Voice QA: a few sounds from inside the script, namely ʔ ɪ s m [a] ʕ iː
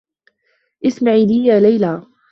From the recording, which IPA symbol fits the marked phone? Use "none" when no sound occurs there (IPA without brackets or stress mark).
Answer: a